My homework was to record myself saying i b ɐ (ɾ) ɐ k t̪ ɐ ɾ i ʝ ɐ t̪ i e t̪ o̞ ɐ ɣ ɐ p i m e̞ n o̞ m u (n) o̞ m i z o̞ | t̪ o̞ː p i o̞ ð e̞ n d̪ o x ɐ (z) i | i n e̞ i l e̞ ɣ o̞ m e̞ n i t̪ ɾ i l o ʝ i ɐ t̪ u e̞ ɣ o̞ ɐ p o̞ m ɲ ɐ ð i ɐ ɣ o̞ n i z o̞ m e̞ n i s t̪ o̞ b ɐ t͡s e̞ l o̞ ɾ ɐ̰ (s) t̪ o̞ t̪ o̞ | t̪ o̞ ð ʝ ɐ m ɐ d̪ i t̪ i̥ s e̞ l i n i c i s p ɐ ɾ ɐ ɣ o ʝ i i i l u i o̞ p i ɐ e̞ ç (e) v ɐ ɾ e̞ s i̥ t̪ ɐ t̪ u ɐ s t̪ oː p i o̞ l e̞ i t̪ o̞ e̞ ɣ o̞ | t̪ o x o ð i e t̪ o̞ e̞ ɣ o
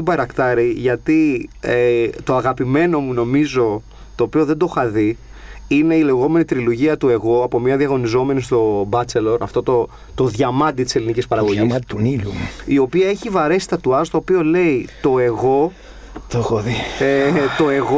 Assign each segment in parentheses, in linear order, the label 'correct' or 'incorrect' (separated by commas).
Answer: correct, correct, incorrect, incorrect, incorrect